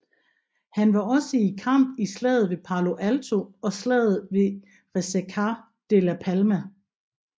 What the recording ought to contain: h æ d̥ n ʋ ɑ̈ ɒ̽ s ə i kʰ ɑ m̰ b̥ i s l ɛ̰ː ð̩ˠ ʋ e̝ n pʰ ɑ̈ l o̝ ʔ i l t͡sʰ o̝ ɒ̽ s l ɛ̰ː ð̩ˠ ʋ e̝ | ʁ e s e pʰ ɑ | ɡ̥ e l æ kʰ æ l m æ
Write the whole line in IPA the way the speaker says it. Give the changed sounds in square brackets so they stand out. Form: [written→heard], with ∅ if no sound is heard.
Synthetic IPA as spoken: h æ [d̥→∅] n ʋ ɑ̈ ɒ̽ s ə i kʰ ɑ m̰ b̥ i s l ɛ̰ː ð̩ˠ ʋ e̝ [n→∅] pʰ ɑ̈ l o̝ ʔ [i→æ] l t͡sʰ o̝ ɒ̽ s l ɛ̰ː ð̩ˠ ʋ e̝ | ʁ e s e [pʰ→kʰ] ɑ | [ɡ̥→d̥] e l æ [kʰ→pʰ] æ l m æ